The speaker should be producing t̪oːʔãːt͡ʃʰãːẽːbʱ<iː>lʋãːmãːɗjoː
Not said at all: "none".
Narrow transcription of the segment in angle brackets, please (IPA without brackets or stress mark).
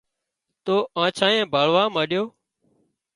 aː